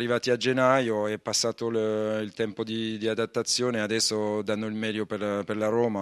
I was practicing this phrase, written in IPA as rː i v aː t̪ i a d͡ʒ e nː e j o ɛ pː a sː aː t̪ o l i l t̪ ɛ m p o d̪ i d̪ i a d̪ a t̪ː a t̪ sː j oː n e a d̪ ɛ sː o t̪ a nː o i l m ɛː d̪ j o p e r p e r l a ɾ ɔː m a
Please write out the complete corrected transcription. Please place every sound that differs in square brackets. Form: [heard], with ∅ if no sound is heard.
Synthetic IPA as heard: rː i v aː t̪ i a d͡ʒ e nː [a] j o ɛ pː a sː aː t̪ o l i l t̪ ɛ m p o d̪ i d̪ i a d̪ a t̪ː a t̪ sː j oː n e a d̪ ɛ sː o [d̪] a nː o i l m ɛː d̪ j o p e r p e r l a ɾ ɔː m a